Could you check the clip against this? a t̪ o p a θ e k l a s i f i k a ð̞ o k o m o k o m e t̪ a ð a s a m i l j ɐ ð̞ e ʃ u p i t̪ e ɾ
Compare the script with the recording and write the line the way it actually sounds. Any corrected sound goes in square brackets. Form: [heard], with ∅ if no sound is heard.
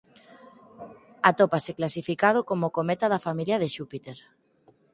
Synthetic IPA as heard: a t̪ o p a [s] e k l a s i f i k a ð̞ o k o m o k o m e t̪ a ð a [f] a m i l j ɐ ð̞ e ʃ u p i t̪ e ɾ